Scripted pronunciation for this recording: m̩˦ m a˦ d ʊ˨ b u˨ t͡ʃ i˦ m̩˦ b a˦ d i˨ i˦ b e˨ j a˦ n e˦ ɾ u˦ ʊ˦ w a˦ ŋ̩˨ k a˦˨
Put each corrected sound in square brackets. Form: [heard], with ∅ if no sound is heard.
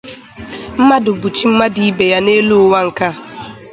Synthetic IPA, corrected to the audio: m̩˦ m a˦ d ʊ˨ b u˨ t͡ʃ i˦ m̩˦ [m] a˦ d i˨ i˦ b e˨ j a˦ n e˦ [l] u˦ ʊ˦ w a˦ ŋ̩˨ k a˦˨